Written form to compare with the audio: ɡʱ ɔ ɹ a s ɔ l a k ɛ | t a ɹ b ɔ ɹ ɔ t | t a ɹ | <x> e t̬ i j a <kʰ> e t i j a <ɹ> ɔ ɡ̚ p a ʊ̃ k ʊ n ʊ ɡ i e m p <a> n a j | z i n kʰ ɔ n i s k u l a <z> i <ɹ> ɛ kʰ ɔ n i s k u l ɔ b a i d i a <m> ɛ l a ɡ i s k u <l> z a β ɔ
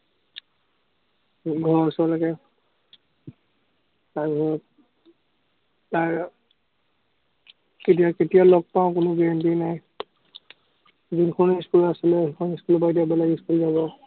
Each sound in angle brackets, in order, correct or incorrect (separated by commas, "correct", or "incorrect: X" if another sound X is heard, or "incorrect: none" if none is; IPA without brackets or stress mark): incorrect: k, incorrect: k, incorrect: l, incorrect: i, incorrect: s, incorrect: l, incorrect: b, correct